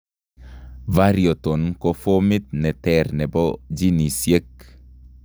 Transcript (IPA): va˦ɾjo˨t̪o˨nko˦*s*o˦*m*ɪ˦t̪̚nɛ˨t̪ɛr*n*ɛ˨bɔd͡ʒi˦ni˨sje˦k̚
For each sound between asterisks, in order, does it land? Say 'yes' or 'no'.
no, yes, yes

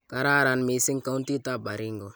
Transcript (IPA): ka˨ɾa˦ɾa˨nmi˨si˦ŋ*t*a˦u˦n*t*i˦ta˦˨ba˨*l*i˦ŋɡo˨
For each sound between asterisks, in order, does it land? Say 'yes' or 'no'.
no, yes, no

